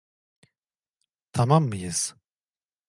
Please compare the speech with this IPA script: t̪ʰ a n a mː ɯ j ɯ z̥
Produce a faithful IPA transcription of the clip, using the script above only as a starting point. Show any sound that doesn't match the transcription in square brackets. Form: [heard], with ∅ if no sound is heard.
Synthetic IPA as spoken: t̪ʰ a [m] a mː ɯ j ɯ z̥